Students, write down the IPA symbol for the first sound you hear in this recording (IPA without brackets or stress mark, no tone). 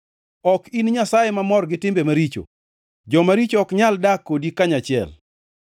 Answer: ɔ